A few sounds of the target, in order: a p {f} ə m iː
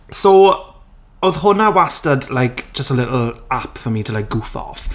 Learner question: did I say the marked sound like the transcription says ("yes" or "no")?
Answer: yes